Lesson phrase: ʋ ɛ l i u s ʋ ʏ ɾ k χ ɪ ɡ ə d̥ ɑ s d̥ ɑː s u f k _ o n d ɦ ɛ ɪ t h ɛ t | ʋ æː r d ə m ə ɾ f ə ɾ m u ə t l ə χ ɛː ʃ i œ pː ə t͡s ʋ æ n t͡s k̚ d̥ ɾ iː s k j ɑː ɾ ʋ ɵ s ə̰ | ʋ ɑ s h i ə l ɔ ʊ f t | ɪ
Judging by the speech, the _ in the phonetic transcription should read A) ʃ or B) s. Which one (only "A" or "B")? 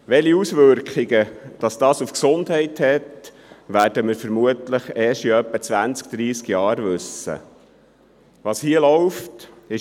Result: B